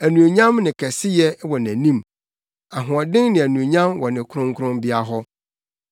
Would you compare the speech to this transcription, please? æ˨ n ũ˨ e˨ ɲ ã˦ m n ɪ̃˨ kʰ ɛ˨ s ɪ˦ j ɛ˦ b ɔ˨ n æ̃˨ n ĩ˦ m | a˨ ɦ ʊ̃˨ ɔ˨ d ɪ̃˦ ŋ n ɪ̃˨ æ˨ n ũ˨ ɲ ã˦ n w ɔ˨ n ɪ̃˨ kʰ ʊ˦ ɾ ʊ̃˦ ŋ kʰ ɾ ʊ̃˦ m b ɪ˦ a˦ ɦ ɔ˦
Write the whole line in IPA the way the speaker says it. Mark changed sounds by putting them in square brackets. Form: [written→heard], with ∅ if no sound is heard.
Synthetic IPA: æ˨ n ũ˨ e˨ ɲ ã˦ m n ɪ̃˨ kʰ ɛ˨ s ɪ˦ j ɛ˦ [b→w] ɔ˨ n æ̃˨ n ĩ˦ m | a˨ ɦ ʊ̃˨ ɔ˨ d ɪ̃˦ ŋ n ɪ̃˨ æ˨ n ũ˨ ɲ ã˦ [n→m] w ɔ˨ n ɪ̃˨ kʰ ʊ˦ ɾ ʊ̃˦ ŋ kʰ ɾ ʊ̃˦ m b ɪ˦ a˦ ɦ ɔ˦